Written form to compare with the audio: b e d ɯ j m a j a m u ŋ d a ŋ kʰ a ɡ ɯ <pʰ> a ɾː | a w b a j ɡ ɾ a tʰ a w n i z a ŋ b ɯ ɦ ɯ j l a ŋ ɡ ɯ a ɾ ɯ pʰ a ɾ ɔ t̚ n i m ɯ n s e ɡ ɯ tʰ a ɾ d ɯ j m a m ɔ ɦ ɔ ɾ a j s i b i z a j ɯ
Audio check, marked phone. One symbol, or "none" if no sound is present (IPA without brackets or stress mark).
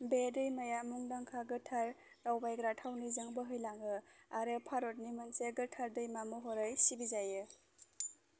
tʰ